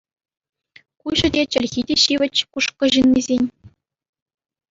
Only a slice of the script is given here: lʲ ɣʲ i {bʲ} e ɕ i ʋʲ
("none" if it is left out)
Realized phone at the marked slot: dʲ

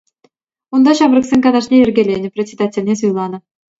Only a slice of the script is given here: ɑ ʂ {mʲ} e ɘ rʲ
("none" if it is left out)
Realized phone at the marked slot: nʲ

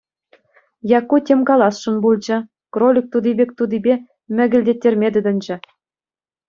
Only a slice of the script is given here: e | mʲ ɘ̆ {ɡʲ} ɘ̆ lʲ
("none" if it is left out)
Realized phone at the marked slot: ɡʲ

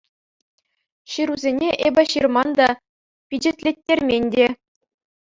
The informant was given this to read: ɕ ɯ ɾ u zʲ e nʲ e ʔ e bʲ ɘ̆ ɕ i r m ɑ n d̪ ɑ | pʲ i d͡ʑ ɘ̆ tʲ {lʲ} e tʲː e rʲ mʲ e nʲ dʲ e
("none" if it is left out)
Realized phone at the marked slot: lʲ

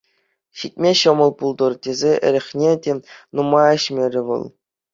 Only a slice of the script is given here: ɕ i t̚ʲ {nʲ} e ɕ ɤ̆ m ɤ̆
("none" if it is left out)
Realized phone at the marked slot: mʲ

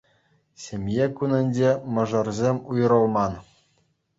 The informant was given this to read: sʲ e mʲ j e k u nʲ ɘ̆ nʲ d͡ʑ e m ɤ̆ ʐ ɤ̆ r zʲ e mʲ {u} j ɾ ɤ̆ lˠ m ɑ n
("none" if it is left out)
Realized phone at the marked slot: u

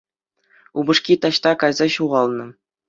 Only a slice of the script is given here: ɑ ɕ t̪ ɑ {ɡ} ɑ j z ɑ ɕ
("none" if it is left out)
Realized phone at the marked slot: k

